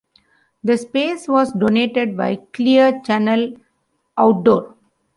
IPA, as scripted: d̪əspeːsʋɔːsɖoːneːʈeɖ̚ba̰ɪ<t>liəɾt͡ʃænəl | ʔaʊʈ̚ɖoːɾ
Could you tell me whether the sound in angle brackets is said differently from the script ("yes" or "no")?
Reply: yes